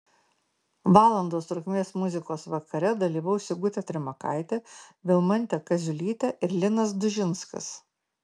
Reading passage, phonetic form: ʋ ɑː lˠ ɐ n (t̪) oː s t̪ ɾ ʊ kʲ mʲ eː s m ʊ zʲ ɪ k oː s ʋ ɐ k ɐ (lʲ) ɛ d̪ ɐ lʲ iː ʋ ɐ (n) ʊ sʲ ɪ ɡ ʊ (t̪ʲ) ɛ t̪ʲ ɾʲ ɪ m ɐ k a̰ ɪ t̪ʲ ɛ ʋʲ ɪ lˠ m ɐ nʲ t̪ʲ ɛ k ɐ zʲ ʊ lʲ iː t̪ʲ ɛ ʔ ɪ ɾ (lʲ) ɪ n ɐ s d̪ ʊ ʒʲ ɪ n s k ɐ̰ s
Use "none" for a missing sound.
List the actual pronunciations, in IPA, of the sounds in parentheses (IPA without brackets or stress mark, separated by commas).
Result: d̪, ɾʲ, none, t̪ʲ, lʲ